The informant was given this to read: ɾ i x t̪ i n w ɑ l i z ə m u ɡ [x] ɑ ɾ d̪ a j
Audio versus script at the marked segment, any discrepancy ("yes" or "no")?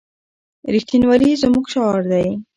yes